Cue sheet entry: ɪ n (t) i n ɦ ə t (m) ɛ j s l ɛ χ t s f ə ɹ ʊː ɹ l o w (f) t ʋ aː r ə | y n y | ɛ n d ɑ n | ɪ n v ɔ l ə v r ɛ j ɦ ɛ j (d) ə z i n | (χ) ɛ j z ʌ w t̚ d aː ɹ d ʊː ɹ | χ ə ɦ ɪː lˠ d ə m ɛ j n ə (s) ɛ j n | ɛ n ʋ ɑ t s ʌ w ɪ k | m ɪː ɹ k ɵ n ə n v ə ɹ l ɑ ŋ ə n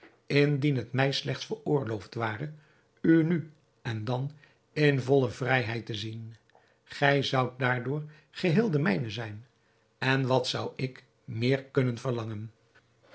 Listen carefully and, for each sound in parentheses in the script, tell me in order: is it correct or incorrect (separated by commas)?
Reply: incorrect, correct, correct, incorrect, correct, incorrect